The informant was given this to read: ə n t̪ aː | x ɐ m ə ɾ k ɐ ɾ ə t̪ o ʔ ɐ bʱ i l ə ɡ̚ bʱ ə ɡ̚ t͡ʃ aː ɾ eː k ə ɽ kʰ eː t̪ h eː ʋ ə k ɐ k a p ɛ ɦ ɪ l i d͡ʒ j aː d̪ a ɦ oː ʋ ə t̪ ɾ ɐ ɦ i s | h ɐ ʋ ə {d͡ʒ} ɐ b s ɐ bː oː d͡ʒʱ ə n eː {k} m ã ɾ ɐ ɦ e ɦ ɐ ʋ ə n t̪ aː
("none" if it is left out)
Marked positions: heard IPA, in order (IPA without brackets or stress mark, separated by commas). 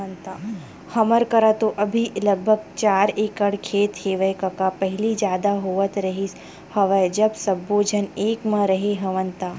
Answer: d͡ʒ, k